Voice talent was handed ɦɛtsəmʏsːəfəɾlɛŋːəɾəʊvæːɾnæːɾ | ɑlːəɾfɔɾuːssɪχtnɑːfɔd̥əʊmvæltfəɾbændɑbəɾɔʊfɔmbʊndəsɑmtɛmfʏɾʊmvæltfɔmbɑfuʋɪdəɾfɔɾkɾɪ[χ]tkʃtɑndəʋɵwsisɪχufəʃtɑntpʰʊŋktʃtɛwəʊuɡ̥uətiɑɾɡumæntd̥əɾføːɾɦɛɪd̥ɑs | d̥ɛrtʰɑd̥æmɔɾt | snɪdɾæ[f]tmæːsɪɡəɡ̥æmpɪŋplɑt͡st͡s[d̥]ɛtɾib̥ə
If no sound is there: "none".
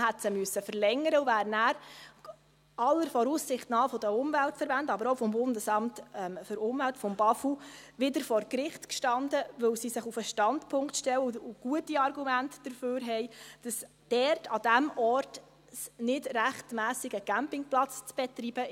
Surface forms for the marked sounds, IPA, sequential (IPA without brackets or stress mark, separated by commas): χ, χ, b̥